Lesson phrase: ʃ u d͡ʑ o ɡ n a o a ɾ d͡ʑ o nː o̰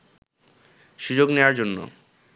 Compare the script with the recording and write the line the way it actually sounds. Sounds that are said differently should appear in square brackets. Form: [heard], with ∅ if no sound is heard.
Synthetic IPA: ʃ u d͡ʑ o ɡ n [e] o a ɾ d͡ʑ o nː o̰